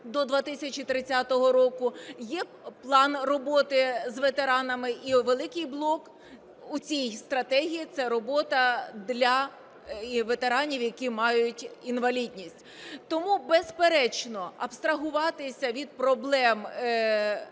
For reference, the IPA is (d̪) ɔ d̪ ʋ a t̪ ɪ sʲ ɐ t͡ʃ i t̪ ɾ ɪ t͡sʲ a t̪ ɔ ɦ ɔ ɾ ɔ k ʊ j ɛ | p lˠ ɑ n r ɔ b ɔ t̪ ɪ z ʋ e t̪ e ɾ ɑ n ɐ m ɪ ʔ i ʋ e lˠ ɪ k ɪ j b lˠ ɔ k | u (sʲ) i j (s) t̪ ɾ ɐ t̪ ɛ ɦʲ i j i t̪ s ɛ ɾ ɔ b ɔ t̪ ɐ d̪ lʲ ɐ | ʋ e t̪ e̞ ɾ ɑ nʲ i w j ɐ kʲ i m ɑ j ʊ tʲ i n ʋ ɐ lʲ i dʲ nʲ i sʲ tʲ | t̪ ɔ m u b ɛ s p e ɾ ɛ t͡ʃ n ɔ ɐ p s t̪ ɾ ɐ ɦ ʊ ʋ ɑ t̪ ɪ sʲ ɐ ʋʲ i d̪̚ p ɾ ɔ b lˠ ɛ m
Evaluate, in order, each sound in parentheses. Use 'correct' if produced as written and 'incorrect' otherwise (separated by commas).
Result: correct, incorrect, correct